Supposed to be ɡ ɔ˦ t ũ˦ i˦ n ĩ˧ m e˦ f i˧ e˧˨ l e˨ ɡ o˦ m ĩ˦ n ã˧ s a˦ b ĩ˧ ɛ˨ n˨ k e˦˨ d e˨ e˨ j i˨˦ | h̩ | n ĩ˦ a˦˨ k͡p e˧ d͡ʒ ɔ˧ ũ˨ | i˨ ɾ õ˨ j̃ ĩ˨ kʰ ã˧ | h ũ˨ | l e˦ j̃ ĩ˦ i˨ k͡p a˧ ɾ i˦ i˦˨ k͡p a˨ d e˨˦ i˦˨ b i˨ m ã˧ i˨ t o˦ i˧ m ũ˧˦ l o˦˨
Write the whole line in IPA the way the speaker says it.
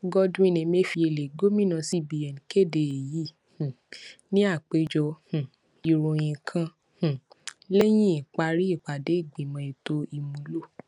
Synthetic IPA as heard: ɡ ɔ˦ d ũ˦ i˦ n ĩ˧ m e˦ f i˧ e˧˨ l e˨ ɡ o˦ m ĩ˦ n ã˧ s i˦ b i˧ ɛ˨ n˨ k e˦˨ d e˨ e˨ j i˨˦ | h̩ | n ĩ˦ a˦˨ k͡p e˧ d͡ʒ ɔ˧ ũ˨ | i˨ ɾ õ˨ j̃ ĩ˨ kʰ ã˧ | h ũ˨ | l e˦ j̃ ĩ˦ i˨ k͡p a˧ ɾ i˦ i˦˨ k͡p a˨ d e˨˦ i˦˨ ɡ͡b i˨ m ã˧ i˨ t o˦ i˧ m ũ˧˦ l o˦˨